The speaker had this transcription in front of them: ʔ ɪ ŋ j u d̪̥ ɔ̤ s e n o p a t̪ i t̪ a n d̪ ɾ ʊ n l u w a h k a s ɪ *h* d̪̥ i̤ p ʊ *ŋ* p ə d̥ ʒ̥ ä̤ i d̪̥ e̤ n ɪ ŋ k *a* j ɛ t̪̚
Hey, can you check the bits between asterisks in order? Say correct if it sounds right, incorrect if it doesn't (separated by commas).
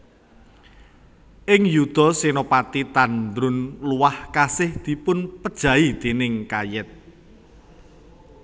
correct, incorrect, correct